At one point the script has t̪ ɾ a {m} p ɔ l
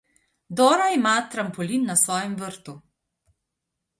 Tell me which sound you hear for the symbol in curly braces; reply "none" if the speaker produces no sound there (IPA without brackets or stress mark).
m